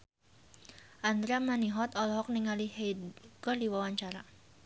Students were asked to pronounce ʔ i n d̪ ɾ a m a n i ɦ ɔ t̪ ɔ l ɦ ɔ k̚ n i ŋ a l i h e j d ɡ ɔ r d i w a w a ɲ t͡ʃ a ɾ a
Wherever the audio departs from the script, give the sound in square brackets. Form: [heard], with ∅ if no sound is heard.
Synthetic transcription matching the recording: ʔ [a] n d̪ ɾ a m a n i ɦ ɔ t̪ ɔ l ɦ ɔ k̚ n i ŋ a l i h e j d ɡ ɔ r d i w a w a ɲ t͡ʃ a ɾ a

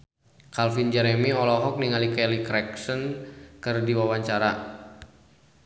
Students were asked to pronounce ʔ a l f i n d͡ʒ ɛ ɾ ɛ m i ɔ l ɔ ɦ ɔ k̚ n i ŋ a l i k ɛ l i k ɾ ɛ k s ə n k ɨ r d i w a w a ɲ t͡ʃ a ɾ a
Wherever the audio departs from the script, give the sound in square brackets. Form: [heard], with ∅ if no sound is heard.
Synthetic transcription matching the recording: [k] a l f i n d͡ʒ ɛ ɾ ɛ m i ɔ l ɔ ɦ ɔ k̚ n i ŋ a l i k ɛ l i k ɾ ɛ k s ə n k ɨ r d i w a w a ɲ t͡ʃ a ɾ a

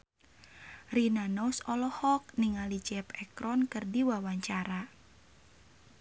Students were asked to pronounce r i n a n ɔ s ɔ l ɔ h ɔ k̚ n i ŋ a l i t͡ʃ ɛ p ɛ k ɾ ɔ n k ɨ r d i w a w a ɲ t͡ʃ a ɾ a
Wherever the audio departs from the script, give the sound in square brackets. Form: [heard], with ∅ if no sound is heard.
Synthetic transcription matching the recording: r i n a n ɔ s ɔ l ɔ h ɔ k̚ n i ŋ a l i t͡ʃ ɛ p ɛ k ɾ ɔ n k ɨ r d i w a w a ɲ t͡ʃ a ɾ a

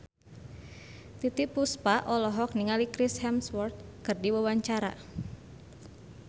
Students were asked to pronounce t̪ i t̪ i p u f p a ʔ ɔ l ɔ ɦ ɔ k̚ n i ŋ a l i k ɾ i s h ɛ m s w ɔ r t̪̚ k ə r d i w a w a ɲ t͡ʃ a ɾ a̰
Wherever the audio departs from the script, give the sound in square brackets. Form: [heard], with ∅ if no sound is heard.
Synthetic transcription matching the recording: t̪ i t̪ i p u [s] p a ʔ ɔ l ɔ ɦ ɔ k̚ n i ŋ a l i k ɾ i s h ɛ m s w ɔ r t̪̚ k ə r d i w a w a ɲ t͡ʃ a ɾ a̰

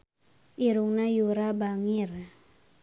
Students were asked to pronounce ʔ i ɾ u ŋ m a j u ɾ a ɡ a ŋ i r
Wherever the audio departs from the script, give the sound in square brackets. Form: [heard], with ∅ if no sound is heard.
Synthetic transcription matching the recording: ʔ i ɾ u ŋ [n] a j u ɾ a [b] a ŋ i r

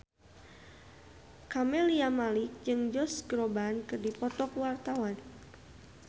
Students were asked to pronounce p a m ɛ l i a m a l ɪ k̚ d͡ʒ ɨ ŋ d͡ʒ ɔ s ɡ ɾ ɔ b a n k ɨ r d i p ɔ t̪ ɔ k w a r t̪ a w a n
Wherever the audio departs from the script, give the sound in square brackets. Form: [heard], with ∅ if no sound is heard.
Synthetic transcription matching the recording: [k] a m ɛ l i a m a l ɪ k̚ d͡ʒ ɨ ŋ d͡ʒ ɔ s ɡ ɾ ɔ b a n k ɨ r d i p ɔ t̪ ɔ k w a r t̪ a w a n

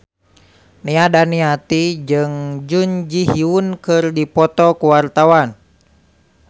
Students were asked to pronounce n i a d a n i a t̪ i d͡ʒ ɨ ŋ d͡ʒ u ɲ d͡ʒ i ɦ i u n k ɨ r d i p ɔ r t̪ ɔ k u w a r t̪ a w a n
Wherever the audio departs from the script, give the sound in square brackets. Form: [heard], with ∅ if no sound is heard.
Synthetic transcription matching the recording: n i a d a n i a t̪ i d͡ʒ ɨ ŋ d͡ʒ u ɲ d͡ʒ i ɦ i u n k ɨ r d i p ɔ [∅] t̪ ɔ k u w a r t̪ a w a n

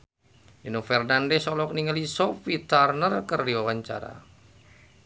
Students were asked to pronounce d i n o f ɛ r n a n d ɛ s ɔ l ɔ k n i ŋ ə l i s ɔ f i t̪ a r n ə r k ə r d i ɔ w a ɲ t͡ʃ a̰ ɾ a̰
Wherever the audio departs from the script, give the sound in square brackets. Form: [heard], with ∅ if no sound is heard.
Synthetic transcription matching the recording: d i n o f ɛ r n a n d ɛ s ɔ l ɔ k n i ŋ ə l i s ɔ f i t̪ a r n ə r k ə r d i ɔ w a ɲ t͡ʃ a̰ ɾ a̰

